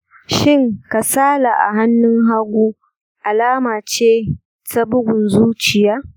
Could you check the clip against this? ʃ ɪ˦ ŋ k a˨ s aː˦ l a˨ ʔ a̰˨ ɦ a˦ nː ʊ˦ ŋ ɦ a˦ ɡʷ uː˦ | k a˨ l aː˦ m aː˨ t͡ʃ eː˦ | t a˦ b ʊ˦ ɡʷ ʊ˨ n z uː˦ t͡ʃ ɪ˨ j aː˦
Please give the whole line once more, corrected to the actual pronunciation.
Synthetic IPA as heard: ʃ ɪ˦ ŋ k a˨ s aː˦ l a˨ ʔ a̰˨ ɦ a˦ nː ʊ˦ ŋ ɦ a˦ ɡʷ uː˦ | ʔ a˨ l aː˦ m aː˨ t͡ʃ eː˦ | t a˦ b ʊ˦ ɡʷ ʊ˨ n z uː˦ t͡ʃ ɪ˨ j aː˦